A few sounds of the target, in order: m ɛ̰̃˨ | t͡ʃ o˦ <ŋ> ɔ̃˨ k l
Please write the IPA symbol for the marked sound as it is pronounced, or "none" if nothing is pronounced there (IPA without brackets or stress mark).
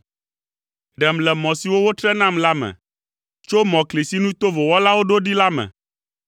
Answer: m